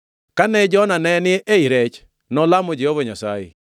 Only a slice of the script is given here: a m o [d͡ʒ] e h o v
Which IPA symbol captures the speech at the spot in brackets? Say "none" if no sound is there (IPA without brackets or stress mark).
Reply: d͡ʒ